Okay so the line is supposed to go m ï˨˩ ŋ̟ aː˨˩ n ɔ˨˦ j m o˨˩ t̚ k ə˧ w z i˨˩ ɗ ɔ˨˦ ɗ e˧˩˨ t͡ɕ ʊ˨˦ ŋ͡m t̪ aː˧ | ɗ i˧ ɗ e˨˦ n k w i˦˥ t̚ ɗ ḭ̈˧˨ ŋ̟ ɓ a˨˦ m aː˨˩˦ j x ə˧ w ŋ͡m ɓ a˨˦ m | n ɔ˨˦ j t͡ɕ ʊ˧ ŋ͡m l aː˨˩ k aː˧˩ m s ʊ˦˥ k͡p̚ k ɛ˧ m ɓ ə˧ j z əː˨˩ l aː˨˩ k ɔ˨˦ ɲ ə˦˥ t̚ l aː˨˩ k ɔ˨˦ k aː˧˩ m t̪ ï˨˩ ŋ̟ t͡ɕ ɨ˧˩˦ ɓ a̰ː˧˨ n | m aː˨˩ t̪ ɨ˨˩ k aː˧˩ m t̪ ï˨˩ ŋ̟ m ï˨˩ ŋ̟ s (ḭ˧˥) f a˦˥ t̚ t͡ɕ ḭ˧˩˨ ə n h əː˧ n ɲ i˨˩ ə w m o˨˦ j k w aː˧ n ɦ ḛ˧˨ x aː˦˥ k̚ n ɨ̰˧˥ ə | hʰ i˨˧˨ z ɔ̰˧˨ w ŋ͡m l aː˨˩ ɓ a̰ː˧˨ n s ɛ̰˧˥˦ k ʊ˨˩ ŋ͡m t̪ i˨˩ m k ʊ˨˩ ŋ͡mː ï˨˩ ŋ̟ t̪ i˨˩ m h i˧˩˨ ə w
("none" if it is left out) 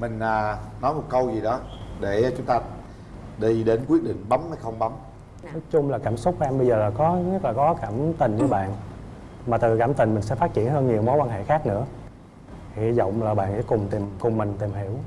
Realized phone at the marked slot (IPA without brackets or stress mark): ɛ̰˧˥